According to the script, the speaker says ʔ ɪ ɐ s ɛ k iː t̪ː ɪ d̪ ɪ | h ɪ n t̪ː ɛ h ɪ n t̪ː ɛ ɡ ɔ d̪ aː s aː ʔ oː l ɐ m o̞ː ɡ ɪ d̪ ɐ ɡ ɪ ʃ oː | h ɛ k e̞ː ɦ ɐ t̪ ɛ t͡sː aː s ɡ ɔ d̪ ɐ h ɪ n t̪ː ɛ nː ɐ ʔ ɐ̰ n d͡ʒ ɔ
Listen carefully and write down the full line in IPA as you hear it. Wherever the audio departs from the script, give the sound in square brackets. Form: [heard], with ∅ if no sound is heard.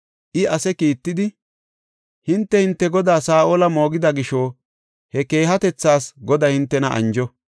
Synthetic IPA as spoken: ʔ ɪ ɐ s ɛ k iː t̪ː ɪ d̪ ɪ | h ɪ n t̪ː ɛ h ɪ n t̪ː ɛ ɡ ɔ d̪ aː s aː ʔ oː l ɐ m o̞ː ɡ ɪ d̪ ɐ ɡ ɪ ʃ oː | h ɛ k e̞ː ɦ ɐ t̪ ɛ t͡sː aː s ɡ ɔ d̪ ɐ h ɪ n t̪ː ɛ [n] ɐ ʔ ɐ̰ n d͡ʒ ɔ